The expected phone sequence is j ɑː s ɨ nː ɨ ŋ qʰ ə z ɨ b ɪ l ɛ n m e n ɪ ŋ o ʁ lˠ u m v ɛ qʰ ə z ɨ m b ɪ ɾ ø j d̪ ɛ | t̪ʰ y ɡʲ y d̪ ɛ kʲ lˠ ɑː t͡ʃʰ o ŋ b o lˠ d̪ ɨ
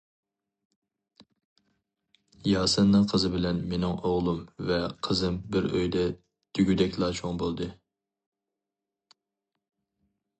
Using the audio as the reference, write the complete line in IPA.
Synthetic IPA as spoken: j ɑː s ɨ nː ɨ ŋ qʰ ə z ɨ b ɪ l ɛ n m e n ɪ ŋ o ʁ lˠ u m v ɛ qʰ ə z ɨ m b ɪ ɾ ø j d̪ ɛ | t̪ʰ y ɡʲ y d̪ ɛ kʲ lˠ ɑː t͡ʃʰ o ŋ b o lˠ d̪ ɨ